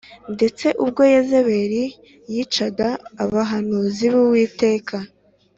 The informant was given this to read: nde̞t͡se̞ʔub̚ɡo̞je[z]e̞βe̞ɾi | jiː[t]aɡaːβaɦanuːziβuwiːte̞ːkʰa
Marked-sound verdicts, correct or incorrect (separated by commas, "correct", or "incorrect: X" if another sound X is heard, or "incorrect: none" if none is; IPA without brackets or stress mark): correct, incorrect: t͡ʃ